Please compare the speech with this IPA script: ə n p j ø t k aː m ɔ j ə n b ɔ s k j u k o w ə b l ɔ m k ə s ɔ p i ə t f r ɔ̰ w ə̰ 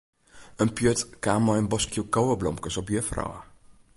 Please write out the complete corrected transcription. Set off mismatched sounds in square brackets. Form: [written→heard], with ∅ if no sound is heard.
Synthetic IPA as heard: ə n p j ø t k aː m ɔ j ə n b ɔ s k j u k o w ə b l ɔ m k ə s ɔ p [i→j] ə [t→∅] f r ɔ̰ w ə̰